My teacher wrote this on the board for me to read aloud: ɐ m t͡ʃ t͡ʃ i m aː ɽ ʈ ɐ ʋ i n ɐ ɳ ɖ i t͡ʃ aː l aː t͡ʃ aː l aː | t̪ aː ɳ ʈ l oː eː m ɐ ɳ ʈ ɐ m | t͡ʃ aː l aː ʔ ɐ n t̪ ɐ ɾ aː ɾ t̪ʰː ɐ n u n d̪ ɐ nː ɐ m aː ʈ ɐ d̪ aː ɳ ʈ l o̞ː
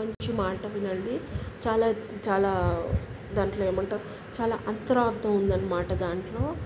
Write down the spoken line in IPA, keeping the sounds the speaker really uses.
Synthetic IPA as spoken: ɐ ɲ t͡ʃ t͡ʃ i m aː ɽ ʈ ɐ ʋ i n ɐ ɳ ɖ i t͡ʃ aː l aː t͡ʃ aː l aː | d̪ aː ɳ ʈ l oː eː m ɐ ɳ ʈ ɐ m | t͡ʃ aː l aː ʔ ɐ n t̪ ɐ ɾ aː ɾ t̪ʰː ɐ m u n d̪ ɐ nː ɐ m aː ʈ ɐ d̪ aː ɳ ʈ l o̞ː